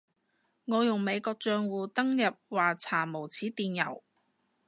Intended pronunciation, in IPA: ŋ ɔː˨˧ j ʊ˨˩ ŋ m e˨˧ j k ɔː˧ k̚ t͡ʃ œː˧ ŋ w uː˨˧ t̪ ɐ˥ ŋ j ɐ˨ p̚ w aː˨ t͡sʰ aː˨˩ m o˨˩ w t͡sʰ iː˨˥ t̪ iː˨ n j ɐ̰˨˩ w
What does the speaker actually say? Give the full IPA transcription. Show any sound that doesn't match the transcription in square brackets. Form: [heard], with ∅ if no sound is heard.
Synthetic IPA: ŋ ɔː˨˧ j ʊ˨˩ ŋ m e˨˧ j k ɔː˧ k̚ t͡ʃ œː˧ ŋ w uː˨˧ t̪ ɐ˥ ŋ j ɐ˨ p̚ w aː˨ t͡sʰ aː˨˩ m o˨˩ w t͡sʰ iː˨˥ t̪ iː˨ n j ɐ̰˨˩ w